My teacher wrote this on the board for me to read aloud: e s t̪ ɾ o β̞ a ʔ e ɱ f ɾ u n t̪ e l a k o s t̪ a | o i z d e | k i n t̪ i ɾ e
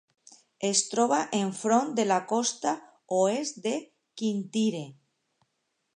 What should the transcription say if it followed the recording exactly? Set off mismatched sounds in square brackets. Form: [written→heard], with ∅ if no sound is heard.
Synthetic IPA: e s t̪ ɾ o β̞ a ʔ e ɱ f ɾ [u→o] n [t̪→d̪] e l a k o s t̪ a | o [i→e] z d e | k i n t̪ i ɾ e